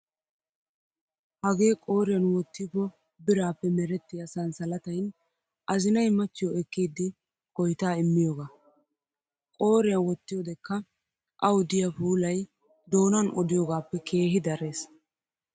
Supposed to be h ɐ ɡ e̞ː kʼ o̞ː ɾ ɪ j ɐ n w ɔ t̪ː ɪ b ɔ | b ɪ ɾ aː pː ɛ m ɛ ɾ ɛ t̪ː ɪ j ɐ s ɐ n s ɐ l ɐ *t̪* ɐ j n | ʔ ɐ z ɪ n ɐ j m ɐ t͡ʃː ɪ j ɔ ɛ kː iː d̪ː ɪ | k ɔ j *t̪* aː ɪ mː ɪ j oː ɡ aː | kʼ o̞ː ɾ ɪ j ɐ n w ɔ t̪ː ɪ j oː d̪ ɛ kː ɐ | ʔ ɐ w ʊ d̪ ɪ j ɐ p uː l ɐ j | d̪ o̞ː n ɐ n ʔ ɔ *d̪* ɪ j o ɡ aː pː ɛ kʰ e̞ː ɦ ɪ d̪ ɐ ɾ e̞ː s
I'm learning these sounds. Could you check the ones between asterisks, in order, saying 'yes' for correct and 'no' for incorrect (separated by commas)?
yes, yes, yes